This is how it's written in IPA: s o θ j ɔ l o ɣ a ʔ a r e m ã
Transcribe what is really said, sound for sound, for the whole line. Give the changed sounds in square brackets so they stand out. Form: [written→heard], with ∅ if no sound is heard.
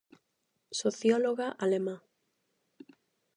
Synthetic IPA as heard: s o θ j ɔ l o ɣ a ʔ a [r→l] e m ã